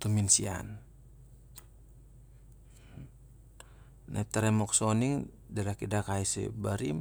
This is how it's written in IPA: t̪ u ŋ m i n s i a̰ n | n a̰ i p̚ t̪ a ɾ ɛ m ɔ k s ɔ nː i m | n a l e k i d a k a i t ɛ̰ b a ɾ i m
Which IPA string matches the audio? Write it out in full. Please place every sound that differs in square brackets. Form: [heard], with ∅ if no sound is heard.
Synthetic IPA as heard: t̪ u [∅] m i n s i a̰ n | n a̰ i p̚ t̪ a ɾ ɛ m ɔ k s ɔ [n] i [ŋ] | [d] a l [a] k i d a k a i [s] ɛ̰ b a ɾ i m